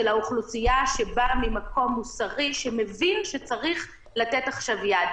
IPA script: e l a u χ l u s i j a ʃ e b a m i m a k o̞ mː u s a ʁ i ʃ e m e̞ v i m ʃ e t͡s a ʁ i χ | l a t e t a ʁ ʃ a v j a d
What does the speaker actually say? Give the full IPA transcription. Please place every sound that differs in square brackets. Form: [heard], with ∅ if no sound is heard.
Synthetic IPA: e l a u χ l u s i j a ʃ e b a m i m a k o̞ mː u s a ʁ i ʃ e m e̞ v i [n] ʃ e t͡s a ʁ i χ | l a t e t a [χ] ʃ a v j a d